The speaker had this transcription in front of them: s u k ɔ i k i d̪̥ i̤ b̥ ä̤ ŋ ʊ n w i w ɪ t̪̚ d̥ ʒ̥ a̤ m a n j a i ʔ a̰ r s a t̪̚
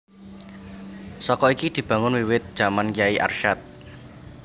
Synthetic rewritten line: s ɔ k ɔ i k i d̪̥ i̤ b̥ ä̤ ŋ ʊ n w i w ɪ t̪̚ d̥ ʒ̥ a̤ m a n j a i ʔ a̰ r ʃ a t̪̚

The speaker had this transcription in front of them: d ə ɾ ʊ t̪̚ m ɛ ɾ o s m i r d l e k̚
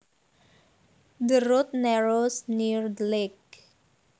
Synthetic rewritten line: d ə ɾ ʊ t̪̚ n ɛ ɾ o s n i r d l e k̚

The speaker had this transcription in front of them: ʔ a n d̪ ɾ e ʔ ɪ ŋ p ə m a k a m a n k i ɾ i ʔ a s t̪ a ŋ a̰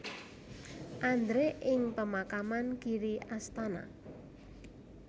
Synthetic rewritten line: ʔ a n d̪ ɾ e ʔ ɪ ŋ p ə m a k a m a n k i ɾ i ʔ a s t̪ a n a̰

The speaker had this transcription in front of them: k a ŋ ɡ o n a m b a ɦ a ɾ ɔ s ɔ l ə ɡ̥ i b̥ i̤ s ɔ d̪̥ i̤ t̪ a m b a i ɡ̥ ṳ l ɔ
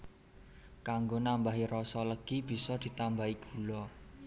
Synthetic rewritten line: k a ŋ ɡ o n a m b a ɦ i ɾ ɔ s ɔ l ə ɡ̥ i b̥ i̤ s ɔ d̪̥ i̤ t̪ a m b a i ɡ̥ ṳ l ɔ

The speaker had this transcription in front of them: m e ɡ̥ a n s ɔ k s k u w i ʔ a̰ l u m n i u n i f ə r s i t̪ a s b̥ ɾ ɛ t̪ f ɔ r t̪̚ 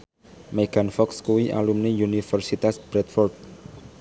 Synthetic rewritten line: m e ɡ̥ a n f ɔ k s k u w i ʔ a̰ l u m n i u n i f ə r s i t̪ a s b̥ ɾ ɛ t̪ f ɔ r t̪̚

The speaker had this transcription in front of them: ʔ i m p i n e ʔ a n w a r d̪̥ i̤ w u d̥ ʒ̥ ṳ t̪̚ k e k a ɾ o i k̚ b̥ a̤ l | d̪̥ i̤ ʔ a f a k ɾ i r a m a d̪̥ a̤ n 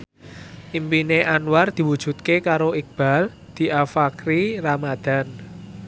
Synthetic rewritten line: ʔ i m p i n e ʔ a n w a r d̪̥ i̤ w u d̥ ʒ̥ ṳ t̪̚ k e k a ɾ o i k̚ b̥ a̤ l | d̪̥ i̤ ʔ a f a k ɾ i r a m a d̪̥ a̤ n

